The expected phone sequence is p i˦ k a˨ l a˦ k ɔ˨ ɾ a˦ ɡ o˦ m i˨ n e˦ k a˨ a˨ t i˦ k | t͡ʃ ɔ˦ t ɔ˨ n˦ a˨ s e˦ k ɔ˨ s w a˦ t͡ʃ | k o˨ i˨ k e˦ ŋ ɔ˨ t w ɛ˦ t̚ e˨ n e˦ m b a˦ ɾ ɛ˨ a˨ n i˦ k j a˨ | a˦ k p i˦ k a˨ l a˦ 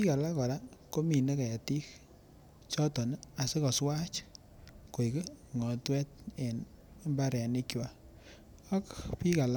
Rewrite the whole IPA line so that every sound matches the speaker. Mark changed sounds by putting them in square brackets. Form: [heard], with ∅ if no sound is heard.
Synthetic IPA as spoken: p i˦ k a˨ l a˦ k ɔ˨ ɾ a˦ [k] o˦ m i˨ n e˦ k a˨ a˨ t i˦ k | t͡ʃ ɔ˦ t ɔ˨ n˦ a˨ s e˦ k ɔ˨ s w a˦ t͡ʃ | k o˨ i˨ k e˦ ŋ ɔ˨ t w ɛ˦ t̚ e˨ n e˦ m b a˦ ɾ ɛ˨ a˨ n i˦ k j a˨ | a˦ k p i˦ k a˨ l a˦